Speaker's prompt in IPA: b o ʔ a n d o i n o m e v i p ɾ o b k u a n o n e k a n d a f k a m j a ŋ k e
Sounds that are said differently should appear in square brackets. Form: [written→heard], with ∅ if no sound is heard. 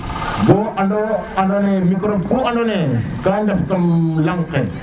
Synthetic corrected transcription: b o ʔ a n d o [i→a] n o [m→n] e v i [p→k] ɾ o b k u a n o n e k a n d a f k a m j a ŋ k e